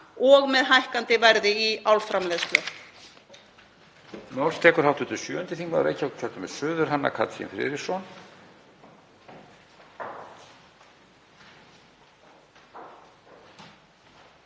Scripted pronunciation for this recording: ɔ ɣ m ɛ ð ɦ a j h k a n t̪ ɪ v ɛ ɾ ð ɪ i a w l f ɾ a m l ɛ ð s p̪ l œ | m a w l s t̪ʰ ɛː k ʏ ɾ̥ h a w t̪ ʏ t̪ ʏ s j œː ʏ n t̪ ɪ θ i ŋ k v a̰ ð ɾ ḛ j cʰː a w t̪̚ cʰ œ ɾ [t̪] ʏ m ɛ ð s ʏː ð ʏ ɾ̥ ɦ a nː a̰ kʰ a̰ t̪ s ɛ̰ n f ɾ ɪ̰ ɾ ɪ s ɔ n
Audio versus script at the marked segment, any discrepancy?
no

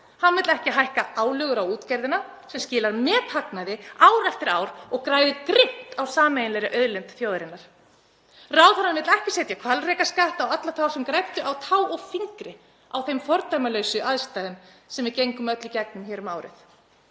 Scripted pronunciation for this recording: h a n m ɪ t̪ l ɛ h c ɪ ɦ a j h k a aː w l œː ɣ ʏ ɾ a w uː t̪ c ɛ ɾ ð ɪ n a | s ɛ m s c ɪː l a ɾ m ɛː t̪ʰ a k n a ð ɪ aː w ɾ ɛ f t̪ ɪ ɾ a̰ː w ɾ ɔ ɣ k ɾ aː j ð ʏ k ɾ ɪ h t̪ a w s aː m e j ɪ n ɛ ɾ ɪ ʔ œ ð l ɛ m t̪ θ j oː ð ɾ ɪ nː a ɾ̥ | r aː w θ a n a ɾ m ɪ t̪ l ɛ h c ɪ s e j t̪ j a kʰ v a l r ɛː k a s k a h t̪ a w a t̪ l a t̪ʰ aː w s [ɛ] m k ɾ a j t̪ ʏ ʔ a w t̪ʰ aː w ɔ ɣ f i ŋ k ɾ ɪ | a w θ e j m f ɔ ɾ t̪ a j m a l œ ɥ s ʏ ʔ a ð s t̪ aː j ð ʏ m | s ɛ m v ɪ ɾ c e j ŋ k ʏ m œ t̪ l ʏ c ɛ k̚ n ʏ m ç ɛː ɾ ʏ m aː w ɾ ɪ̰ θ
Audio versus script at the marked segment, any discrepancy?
no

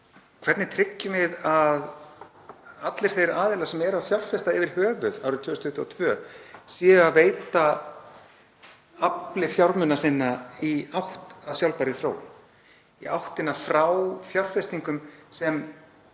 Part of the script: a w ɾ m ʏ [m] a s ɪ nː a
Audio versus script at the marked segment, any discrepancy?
yes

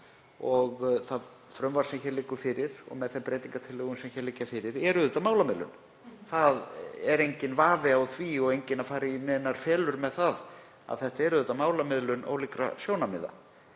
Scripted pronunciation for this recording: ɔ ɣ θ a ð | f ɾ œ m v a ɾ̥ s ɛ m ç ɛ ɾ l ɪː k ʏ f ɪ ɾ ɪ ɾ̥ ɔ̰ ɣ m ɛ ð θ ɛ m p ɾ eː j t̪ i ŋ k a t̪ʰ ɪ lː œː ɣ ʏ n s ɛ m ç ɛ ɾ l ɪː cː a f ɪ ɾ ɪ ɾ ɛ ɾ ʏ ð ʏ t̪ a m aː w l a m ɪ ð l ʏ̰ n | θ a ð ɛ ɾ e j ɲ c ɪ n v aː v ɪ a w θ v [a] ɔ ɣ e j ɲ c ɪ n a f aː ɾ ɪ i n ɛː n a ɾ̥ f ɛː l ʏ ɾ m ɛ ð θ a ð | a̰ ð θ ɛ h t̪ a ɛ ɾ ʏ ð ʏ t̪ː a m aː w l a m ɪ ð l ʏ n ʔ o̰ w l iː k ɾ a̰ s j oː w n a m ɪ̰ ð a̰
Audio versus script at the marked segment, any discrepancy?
yes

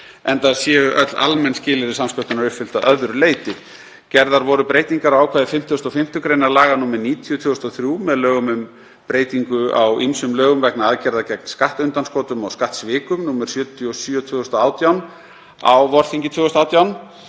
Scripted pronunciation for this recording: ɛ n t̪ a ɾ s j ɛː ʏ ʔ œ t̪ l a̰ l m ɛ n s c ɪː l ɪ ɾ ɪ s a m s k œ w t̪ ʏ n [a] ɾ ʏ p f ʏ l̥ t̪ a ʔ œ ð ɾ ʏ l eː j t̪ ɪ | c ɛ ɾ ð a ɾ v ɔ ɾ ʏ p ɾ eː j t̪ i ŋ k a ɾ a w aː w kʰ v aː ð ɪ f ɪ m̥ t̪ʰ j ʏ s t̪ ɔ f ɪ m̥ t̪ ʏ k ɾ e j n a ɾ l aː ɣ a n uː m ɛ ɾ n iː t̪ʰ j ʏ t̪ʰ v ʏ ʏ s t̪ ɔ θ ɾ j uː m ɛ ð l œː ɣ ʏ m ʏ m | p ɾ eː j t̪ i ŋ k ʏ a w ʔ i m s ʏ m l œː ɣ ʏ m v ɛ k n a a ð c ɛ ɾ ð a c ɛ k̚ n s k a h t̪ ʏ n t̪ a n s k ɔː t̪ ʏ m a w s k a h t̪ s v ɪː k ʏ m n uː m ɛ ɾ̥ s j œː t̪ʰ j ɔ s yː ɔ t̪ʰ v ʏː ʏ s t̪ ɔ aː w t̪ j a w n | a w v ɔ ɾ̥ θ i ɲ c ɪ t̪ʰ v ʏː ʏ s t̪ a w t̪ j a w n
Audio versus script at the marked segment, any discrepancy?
no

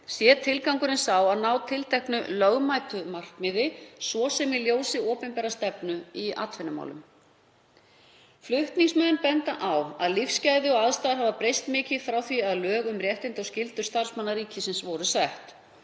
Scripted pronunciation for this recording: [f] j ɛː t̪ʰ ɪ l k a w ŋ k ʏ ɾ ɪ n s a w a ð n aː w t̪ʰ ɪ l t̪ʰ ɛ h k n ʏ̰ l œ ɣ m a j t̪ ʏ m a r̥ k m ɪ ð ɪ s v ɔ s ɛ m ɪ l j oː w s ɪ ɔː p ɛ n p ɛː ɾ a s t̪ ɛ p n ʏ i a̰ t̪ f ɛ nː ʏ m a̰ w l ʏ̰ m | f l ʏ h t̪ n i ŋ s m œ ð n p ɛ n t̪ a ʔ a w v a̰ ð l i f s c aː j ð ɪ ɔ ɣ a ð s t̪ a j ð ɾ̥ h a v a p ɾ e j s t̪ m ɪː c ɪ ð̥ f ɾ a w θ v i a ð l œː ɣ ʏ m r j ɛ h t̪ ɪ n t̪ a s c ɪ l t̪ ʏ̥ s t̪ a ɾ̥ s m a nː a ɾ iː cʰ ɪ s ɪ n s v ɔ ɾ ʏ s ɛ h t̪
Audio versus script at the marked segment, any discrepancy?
yes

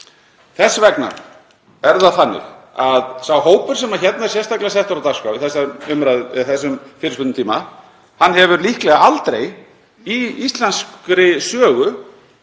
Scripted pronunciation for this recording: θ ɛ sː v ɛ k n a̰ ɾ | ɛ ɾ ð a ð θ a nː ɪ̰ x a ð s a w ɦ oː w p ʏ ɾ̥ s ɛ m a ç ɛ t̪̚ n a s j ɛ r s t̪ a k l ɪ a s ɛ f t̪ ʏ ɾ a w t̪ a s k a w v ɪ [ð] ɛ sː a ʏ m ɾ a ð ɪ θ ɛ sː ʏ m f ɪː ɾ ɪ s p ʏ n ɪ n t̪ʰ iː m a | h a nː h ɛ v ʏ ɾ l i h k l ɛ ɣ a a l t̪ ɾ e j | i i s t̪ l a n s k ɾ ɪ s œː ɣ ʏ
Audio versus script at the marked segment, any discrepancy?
yes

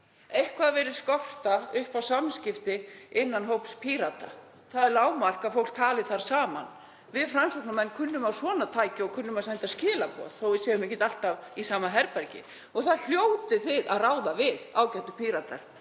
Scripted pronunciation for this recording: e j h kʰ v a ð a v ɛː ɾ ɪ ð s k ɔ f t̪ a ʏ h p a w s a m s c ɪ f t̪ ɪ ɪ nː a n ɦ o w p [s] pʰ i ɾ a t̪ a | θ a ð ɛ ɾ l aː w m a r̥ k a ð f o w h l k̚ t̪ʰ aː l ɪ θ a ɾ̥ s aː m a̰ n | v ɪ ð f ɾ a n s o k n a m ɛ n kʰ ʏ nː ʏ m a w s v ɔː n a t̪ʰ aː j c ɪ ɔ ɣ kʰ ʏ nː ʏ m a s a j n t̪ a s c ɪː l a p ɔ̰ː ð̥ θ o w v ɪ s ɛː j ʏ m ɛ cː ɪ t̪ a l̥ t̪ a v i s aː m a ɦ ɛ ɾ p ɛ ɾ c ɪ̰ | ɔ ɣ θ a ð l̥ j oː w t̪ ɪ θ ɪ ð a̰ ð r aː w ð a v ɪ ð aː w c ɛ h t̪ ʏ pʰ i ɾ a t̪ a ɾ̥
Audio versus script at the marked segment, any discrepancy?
no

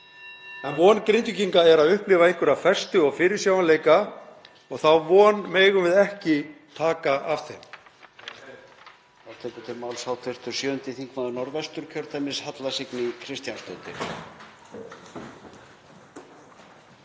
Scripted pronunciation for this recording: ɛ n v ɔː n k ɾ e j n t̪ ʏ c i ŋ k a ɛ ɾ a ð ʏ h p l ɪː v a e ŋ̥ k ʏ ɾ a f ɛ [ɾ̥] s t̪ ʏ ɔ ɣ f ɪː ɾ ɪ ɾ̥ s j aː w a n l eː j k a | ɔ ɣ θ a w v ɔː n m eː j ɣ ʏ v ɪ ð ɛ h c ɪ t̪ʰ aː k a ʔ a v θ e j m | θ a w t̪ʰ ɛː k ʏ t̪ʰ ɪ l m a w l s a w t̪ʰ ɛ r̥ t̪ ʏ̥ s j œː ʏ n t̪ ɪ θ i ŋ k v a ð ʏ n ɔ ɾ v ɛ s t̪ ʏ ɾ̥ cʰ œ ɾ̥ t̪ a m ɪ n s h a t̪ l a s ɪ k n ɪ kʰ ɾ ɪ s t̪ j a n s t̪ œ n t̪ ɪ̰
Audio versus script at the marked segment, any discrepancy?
yes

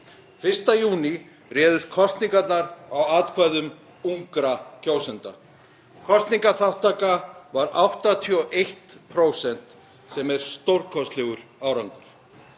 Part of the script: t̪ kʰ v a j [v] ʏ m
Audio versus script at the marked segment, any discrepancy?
yes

